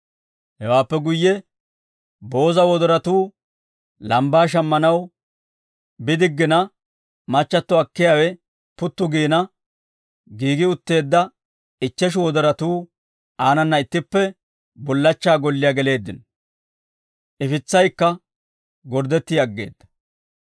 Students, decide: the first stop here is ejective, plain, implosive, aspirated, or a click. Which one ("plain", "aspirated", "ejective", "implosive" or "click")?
plain